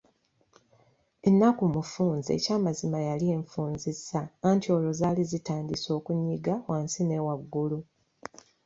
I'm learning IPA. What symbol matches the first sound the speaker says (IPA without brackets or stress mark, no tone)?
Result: e̞